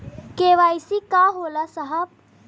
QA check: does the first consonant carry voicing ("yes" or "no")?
no